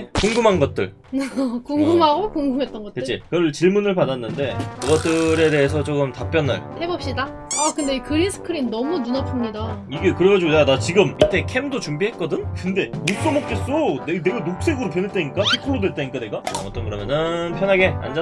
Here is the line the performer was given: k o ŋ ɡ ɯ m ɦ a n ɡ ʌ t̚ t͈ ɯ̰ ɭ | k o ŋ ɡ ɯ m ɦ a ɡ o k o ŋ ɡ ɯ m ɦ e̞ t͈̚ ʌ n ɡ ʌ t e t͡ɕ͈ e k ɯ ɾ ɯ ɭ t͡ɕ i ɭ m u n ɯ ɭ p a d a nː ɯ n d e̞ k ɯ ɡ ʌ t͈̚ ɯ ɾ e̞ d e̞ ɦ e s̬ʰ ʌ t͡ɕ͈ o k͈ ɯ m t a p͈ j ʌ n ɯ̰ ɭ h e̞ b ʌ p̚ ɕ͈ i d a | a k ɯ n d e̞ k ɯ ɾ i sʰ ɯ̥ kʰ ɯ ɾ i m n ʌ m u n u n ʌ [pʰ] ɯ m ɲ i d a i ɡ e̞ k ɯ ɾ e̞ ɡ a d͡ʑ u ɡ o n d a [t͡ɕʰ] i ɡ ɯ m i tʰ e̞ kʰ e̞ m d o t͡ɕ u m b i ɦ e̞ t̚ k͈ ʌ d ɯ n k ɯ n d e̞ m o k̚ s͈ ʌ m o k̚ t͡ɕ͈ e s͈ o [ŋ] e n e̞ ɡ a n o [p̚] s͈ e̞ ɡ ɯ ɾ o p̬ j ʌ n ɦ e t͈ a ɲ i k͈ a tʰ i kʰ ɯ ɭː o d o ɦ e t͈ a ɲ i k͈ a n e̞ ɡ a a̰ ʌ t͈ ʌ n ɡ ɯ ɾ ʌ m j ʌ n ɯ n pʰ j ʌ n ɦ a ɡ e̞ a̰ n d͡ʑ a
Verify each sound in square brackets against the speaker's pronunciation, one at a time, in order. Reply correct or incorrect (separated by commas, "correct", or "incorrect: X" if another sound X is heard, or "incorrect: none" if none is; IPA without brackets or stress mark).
correct, incorrect: t͡ɕ, incorrect: n, incorrect: k̚